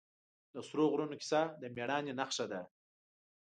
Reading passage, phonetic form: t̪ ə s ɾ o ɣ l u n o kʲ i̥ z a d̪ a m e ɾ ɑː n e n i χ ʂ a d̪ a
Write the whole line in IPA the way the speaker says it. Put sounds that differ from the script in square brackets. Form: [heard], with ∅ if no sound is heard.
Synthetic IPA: [d̪] ə s ɾ o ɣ [ɾ] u n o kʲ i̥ [s] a d̪ [ə] m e [ɽ] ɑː n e n [a] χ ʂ a d̪ a